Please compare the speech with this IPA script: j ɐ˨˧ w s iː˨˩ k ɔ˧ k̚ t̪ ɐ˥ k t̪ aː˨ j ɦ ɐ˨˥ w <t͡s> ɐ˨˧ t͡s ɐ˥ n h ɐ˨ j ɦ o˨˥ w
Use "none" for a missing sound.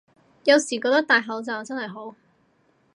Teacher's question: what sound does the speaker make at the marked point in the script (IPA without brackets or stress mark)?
t͡s